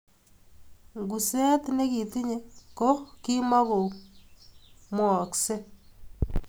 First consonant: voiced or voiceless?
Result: voiced